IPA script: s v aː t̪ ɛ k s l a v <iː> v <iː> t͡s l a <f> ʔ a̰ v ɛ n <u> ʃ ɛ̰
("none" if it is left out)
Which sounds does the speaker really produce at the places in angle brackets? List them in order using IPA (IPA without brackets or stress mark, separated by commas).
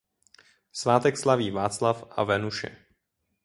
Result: iː, aː, f, u